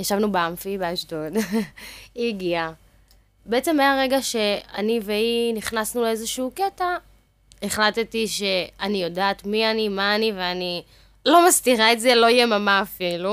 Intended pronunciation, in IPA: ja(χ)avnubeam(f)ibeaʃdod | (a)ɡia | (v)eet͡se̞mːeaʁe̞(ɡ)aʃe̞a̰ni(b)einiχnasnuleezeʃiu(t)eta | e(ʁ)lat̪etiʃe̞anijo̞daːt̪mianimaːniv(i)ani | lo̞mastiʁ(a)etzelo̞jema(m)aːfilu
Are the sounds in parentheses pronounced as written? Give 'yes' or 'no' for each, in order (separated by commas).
no, yes, no, no, yes, no, no, no, no, yes, yes